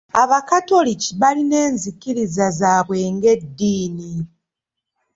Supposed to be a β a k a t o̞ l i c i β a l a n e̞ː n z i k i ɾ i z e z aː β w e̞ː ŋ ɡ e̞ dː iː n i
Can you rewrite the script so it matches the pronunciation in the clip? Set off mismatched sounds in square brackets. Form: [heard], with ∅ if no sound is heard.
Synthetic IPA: a β a k a t o̞ l i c i β a l [i] n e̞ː n z i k i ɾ i z [a] z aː β w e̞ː ŋ ɡ e̞ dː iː n i